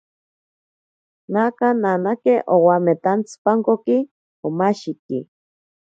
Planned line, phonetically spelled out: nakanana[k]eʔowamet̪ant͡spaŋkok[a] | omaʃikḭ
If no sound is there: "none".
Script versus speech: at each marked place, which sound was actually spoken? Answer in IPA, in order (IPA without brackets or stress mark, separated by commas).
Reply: k, i